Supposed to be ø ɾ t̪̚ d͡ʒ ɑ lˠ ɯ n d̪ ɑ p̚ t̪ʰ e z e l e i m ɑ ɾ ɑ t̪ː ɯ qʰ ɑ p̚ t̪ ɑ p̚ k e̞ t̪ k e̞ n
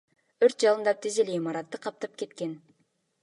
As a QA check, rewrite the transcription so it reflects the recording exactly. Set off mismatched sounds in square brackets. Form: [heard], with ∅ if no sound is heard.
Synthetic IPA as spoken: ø ɾ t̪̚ d͡ʒ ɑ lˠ ɯ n d̪ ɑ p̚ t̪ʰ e z e l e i m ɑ ɾ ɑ t̪ː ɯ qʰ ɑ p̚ t̪ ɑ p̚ k e̞ t̪ k e̞ n